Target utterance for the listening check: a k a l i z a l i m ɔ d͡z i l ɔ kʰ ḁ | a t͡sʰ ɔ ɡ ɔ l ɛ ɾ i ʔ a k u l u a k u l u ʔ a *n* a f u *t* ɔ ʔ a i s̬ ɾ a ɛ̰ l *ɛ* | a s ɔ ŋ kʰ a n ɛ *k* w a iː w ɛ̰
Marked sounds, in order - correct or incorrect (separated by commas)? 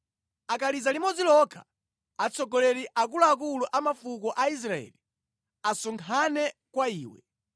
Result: incorrect, incorrect, incorrect, correct